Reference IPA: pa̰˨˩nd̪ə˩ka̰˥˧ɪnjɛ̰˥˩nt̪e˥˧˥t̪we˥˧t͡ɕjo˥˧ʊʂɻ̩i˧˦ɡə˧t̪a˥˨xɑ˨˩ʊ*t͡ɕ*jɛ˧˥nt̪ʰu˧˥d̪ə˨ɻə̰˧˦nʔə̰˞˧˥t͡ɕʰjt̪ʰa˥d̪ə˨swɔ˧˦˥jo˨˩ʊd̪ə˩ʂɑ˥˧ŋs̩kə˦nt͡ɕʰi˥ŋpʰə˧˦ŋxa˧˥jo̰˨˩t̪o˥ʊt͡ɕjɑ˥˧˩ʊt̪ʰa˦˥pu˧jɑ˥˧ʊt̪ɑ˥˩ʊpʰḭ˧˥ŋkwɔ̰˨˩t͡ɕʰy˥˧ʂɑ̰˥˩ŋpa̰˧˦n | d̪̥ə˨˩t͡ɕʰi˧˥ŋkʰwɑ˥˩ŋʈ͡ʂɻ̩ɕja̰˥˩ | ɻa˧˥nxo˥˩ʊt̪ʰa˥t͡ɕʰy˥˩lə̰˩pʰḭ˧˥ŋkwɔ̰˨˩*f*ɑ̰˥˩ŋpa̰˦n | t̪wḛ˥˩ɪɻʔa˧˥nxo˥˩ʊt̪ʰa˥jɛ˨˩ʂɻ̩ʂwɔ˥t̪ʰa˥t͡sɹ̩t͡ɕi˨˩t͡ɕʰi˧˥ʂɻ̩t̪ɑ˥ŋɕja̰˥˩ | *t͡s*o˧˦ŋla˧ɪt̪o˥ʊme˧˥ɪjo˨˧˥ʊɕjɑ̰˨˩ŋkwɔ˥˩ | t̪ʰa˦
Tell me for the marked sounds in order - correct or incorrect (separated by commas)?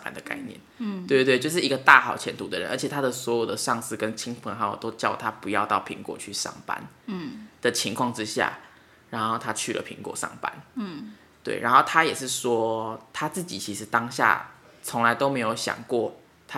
incorrect, incorrect, incorrect